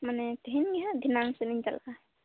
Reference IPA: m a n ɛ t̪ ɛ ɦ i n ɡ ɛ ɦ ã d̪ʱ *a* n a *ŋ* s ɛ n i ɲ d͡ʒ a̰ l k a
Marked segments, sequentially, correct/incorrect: incorrect, correct

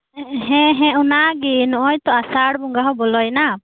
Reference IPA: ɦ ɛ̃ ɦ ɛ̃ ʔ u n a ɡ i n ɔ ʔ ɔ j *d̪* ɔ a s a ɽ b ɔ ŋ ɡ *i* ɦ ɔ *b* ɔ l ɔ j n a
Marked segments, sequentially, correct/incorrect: incorrect, incorrect, correct

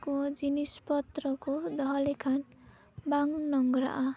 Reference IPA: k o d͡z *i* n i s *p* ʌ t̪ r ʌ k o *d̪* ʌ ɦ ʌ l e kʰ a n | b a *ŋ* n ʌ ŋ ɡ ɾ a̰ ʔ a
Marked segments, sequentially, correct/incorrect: correct, correct, correct, correct

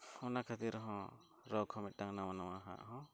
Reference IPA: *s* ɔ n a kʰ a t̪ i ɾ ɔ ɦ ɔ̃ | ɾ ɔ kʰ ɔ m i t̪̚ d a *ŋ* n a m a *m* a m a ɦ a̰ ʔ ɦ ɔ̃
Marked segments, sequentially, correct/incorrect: incorrect, correct, incorrect

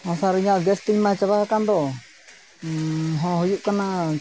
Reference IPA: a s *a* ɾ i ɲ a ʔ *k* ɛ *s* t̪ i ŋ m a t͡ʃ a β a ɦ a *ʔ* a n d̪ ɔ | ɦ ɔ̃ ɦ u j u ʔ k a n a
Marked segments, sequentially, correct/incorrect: correct, incorrect, correct, incorrect

